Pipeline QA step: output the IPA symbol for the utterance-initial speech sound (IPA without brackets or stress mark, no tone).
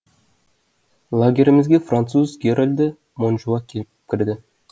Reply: lˠ